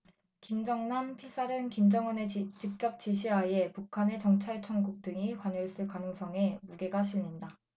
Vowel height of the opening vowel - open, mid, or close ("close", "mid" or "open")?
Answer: close